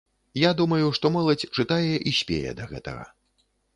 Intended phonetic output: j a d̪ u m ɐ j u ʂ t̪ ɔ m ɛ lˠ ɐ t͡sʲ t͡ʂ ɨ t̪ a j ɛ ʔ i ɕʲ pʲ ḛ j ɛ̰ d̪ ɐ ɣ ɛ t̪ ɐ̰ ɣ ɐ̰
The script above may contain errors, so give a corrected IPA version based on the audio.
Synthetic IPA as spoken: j a d̪ u m ɐ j u ʂ t̪ ɔ m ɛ lˠ ɐ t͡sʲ t͡ʂ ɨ t̪ a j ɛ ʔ i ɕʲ pʲ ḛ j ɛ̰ d̪ ɐ ɣ ɛ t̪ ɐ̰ ɣ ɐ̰